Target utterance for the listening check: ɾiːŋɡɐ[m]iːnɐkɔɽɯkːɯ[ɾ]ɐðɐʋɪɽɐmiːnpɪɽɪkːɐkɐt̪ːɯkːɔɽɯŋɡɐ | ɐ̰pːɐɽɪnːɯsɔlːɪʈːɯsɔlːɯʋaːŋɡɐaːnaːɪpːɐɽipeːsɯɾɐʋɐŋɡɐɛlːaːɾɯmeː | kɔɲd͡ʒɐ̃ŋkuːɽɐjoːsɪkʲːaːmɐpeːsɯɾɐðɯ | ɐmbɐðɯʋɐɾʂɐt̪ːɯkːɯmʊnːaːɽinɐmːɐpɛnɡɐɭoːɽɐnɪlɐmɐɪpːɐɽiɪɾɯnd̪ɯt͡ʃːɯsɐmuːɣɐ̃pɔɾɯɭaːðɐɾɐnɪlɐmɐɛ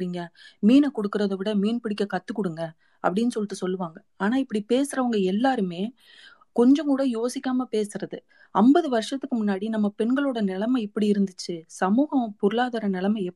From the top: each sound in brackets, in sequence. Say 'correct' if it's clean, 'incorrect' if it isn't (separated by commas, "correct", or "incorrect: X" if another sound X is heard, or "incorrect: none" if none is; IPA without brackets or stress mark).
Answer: correct, correct